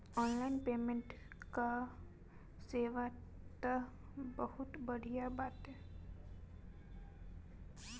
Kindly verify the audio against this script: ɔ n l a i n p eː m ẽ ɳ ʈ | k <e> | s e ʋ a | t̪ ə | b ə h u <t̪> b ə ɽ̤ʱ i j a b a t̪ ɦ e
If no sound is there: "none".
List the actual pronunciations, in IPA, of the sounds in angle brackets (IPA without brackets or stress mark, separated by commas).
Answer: a, t̪